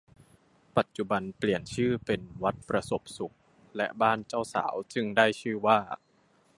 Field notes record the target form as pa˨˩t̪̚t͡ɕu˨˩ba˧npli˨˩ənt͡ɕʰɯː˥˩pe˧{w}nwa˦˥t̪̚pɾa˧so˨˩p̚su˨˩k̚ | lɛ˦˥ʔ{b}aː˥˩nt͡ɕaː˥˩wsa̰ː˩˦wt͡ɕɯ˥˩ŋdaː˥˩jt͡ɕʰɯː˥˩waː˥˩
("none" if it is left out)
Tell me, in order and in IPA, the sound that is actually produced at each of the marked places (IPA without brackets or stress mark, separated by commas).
none, b